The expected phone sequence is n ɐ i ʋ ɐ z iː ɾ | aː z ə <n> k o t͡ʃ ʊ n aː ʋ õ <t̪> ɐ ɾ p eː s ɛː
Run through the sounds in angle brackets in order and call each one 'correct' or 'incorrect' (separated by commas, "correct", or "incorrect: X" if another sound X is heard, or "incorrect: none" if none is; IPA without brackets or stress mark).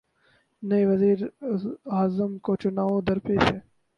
incorrect: m, incorrect: d̪